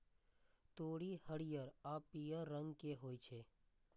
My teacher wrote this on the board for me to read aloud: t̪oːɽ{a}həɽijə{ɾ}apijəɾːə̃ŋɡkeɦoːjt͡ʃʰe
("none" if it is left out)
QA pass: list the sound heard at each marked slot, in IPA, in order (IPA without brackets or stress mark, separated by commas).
i, ɾ